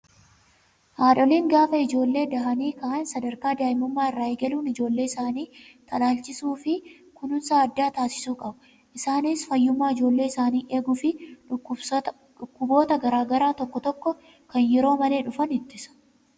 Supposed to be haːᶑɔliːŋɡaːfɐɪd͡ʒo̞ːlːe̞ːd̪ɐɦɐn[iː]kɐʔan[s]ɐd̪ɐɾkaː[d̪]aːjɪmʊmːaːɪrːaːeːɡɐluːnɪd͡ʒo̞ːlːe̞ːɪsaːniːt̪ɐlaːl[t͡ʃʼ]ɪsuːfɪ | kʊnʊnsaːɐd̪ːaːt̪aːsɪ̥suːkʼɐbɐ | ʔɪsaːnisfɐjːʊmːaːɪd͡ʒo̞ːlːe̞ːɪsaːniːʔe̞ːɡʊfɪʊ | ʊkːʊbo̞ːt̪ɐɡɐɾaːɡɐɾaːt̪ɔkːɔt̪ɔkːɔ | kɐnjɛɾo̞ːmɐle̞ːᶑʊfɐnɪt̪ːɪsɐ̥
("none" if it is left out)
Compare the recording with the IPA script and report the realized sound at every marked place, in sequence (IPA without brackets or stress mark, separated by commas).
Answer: iː, s, d̪, t͡ʃ